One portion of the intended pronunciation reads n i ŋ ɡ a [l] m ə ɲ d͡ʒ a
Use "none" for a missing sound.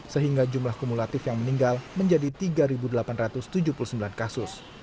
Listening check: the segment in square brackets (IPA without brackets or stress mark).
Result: l